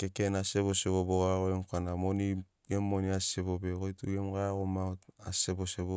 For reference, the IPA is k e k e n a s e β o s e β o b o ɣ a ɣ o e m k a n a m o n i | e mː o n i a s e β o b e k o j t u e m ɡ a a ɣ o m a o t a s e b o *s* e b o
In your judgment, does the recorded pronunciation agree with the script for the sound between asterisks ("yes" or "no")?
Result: yes